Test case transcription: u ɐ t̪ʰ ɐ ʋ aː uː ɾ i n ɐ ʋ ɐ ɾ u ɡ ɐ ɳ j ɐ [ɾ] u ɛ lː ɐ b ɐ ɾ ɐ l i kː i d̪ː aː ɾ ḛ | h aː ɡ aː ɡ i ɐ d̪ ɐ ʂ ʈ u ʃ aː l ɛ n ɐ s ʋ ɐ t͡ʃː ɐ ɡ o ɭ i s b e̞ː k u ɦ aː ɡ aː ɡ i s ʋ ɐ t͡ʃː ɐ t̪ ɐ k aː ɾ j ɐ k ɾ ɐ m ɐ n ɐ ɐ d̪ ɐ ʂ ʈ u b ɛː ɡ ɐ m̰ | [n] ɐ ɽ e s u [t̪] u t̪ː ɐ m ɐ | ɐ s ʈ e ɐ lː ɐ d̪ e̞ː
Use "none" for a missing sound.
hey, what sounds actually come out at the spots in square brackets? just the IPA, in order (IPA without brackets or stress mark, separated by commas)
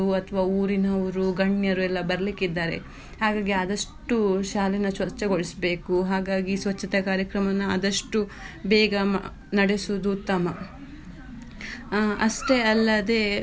ɾ, n, d̪